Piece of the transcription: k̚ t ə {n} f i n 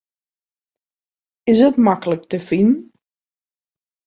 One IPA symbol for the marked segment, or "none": none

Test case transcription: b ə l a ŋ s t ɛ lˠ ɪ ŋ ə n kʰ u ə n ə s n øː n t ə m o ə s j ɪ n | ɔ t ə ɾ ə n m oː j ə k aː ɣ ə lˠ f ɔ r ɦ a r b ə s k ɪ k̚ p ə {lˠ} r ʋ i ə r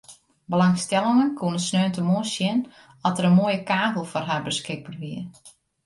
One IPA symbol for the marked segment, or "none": none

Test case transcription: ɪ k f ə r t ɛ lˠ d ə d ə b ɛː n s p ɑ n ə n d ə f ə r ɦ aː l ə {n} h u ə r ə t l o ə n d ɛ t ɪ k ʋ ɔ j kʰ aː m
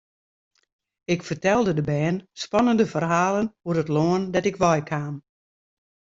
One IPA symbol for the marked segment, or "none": n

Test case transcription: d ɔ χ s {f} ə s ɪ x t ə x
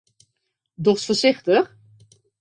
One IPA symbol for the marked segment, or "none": f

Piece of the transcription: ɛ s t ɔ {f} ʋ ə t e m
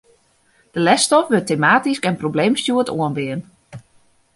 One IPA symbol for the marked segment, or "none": f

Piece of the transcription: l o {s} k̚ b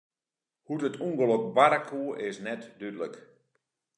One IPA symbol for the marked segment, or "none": none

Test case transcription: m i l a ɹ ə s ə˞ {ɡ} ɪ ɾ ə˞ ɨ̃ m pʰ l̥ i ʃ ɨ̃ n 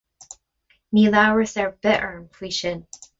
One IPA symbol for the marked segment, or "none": b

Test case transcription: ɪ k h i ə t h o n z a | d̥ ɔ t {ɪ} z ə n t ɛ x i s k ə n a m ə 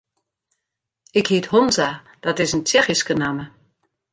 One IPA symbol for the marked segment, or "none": ɪ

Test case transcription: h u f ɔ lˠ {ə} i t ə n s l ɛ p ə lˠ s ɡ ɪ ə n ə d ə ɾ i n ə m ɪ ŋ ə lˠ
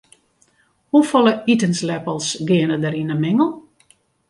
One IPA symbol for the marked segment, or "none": ə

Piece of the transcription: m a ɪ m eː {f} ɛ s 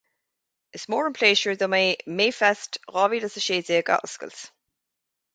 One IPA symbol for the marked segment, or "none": f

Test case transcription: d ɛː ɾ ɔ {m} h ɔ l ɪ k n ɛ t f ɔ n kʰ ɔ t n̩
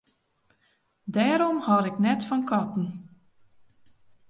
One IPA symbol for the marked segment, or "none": m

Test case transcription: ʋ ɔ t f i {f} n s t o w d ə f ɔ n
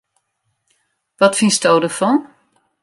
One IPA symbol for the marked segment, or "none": none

